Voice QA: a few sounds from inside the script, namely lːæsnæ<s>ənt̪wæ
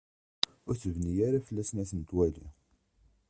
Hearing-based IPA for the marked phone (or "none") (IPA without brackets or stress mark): s